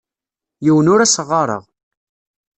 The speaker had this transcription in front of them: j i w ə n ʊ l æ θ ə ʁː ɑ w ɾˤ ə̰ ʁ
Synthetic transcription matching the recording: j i w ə n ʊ ɾ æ s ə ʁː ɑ ɾˤ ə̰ ʁ